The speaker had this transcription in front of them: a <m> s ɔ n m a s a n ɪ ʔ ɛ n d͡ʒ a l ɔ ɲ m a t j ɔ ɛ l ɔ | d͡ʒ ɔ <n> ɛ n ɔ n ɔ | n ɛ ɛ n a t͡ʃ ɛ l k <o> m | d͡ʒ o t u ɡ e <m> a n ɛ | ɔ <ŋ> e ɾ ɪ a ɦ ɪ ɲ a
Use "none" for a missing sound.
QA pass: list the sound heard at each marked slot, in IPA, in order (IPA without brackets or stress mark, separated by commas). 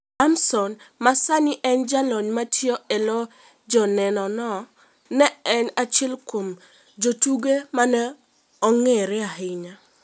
m, n, o, m, ŋ